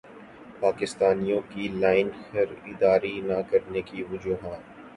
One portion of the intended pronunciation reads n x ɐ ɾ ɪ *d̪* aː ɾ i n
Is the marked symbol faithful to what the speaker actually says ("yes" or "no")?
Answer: yes